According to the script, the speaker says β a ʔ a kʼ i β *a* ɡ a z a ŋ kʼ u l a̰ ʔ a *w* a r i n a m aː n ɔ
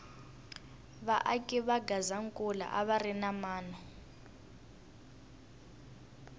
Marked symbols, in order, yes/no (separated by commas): yes, no